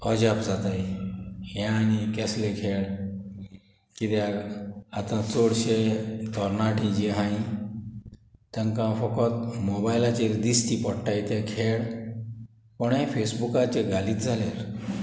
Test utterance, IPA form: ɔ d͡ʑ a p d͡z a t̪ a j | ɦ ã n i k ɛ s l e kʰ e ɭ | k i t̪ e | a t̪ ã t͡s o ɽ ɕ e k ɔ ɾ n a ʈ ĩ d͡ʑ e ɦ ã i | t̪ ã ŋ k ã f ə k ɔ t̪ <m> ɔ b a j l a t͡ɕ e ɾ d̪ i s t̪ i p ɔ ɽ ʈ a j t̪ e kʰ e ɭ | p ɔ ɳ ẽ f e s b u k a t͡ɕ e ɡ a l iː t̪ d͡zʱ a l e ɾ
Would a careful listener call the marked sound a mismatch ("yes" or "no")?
no